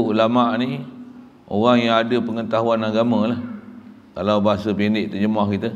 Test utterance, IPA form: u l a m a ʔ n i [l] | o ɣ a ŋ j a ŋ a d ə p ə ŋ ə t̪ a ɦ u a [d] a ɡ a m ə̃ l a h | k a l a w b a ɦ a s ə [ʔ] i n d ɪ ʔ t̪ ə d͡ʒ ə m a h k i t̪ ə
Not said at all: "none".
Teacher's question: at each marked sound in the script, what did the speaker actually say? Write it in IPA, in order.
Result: none, n, p

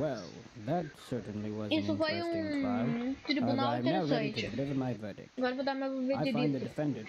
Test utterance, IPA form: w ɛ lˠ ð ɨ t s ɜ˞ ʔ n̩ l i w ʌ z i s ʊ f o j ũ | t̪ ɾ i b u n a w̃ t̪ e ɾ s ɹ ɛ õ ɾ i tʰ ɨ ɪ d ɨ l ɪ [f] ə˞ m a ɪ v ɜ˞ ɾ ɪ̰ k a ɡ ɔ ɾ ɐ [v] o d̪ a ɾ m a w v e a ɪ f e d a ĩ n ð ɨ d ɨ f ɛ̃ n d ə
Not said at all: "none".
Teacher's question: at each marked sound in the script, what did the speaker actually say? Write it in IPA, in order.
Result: v, v

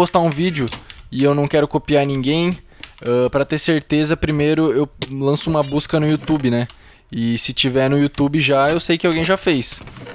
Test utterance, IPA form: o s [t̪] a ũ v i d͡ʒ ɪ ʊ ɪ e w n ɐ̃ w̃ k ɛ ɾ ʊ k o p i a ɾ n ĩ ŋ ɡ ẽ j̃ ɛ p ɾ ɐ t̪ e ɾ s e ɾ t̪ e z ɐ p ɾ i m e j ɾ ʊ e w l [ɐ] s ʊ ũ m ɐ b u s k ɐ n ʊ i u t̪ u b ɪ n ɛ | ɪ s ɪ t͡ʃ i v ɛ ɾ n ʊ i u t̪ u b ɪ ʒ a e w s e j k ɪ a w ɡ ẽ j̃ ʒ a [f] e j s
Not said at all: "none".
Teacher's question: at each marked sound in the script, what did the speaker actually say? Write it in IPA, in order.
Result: t̪, ɐ̃, f

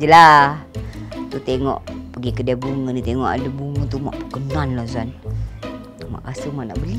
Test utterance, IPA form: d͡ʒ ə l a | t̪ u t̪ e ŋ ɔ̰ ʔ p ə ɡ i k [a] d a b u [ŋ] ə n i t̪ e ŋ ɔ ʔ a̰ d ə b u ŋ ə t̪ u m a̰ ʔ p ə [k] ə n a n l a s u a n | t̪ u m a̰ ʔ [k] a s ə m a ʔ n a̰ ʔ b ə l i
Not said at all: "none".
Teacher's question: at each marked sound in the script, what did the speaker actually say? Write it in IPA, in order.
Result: ə, ŋ, k, k

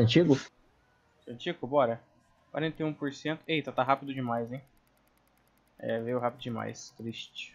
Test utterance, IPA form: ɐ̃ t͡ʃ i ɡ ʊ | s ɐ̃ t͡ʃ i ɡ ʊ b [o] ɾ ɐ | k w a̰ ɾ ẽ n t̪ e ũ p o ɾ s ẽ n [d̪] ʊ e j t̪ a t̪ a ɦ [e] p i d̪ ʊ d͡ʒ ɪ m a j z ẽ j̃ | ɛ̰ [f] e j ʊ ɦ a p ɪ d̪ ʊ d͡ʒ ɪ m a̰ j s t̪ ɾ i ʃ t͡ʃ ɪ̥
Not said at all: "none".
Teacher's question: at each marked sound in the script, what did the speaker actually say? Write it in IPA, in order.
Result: ɔ, t̪, a, v

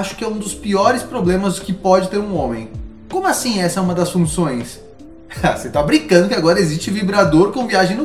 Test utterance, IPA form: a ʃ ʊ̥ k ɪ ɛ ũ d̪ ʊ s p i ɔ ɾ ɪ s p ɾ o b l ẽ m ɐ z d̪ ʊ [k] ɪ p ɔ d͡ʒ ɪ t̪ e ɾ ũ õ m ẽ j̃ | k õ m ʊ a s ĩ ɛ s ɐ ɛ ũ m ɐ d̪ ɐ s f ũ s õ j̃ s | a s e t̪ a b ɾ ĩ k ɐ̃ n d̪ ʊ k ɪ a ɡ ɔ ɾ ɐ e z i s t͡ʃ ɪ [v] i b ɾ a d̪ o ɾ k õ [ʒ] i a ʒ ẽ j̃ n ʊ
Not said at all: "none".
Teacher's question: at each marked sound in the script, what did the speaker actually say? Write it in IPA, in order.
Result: k, v, v

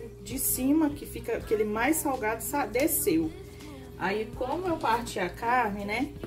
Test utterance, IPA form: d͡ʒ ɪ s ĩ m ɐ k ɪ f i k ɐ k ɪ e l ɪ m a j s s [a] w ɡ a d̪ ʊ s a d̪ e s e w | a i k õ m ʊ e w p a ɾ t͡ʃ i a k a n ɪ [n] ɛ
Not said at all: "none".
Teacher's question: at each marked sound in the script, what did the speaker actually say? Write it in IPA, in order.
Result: a, n

